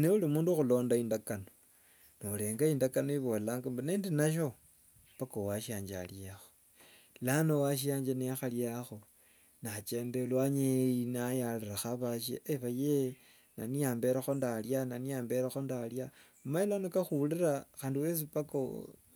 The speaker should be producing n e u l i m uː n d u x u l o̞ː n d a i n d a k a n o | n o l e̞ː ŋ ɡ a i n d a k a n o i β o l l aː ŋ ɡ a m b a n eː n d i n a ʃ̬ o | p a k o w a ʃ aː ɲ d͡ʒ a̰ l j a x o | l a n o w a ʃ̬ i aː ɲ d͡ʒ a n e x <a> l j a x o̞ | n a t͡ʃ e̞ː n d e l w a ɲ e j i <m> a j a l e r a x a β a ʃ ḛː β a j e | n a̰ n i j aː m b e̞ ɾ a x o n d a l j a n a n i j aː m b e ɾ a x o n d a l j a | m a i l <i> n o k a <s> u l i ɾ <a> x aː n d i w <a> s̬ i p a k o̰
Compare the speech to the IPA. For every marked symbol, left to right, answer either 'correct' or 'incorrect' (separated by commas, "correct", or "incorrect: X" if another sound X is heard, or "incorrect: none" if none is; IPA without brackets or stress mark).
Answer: correct, incorrect: n, incorrect: a, incorrect: x, correct, incorrect: e